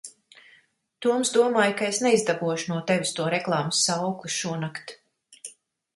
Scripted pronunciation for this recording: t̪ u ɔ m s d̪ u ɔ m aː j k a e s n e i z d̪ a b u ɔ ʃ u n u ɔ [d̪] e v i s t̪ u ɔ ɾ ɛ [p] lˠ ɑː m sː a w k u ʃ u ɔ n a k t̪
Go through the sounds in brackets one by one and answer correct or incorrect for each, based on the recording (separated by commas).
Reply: incorrect, incorrect